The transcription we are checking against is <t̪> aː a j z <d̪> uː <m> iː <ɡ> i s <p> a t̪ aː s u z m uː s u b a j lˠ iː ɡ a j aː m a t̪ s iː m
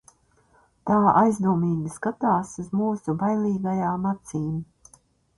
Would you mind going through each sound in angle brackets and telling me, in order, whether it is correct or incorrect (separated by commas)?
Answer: correct, correct, correct, correct, incorrect